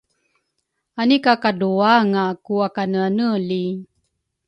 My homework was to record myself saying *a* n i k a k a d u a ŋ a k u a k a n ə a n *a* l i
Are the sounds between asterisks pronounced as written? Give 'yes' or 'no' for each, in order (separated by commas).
yes, no